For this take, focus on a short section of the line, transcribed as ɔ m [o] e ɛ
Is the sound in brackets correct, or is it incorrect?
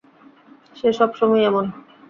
incorrect